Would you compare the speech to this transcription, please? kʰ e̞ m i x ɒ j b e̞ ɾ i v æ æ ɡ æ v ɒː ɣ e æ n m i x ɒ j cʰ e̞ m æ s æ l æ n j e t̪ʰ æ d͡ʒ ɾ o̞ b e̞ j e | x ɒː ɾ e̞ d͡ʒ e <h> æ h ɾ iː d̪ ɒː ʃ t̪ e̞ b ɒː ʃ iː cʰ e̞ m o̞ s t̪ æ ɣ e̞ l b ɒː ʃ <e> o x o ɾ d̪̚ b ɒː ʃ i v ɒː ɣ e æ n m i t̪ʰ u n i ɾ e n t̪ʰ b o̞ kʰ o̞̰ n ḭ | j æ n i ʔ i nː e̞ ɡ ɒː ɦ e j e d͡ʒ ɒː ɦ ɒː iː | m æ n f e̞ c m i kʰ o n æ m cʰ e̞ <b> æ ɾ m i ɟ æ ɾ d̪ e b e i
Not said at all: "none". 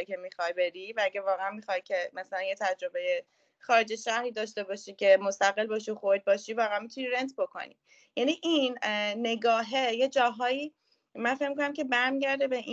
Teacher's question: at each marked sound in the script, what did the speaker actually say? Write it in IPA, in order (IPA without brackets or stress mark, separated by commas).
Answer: ʃ, i, b